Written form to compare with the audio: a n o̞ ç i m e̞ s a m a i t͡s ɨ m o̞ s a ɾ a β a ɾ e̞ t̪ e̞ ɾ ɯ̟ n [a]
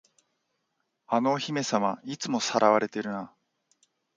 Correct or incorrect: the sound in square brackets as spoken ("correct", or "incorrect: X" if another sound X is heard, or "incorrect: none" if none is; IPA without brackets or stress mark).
correct